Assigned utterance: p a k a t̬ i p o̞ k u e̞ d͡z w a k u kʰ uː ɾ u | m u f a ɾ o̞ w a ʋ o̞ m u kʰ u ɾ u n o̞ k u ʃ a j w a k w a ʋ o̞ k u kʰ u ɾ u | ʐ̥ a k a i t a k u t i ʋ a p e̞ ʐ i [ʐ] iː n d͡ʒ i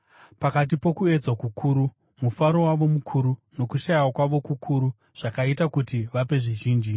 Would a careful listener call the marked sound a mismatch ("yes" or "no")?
yes